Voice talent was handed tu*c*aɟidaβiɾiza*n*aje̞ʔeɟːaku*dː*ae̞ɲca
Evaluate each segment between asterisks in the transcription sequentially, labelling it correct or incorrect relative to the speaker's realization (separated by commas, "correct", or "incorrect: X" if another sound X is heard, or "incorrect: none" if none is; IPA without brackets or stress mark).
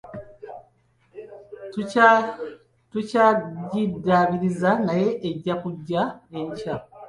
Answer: correct, correct, incorrect: ɟː